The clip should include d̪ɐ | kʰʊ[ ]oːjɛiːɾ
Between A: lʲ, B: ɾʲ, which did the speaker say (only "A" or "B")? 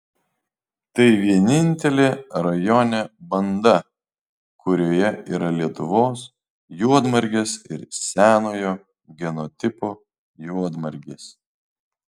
B